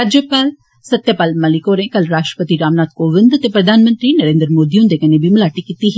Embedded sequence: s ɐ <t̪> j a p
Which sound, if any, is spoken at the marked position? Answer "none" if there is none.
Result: t̪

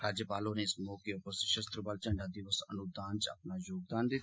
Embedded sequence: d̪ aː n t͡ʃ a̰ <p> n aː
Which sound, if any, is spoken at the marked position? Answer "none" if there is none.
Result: p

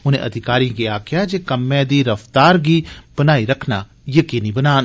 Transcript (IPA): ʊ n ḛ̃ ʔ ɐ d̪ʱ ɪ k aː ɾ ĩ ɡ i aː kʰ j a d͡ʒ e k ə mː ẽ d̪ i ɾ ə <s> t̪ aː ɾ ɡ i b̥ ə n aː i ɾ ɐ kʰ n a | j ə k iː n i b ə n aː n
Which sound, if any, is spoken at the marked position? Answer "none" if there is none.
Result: f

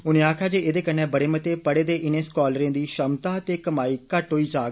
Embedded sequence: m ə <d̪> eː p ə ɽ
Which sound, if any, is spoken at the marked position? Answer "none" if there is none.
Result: t̪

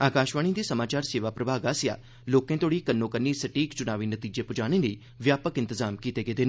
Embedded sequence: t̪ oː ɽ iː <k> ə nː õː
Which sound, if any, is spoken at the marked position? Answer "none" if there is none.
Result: k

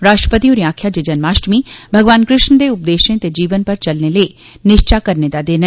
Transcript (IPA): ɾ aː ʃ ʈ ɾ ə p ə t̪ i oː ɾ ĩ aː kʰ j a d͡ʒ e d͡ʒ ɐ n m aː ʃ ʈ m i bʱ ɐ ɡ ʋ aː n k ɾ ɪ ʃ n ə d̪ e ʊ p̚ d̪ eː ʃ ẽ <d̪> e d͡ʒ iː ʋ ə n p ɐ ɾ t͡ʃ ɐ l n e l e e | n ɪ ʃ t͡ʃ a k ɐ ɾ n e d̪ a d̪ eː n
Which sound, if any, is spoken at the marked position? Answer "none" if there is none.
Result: t̪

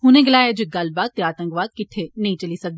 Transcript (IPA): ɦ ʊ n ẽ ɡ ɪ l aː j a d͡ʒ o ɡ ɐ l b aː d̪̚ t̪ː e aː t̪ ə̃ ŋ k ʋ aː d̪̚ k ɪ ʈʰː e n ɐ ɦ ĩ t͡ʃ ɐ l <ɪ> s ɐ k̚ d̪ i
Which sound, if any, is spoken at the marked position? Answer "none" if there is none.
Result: i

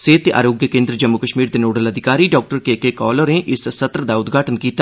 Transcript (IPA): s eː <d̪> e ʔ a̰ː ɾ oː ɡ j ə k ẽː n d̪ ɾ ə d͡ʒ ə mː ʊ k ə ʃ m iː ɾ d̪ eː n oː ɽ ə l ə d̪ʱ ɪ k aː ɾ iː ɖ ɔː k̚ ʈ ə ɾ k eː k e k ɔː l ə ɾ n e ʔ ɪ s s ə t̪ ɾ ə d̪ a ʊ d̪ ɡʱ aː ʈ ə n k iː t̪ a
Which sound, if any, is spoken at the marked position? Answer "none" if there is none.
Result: t̪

